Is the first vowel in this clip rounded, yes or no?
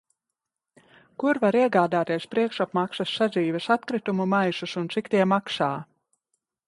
yes